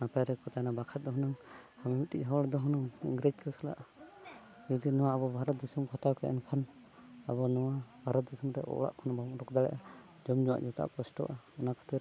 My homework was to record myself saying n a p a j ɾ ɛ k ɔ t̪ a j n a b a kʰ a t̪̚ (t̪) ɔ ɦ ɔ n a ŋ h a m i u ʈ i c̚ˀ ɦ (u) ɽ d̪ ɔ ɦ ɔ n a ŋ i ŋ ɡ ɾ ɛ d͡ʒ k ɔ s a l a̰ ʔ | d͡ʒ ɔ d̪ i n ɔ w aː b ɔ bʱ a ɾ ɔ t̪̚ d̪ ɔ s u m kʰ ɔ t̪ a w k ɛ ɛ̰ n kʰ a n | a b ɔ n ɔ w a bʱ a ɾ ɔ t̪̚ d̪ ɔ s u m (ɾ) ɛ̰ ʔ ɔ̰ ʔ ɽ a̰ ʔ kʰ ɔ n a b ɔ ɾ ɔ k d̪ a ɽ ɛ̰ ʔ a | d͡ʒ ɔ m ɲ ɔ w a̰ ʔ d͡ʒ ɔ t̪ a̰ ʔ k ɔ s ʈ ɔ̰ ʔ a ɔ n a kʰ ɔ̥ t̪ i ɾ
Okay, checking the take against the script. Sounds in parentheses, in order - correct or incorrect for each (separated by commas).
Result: incorrect, incorrect, correct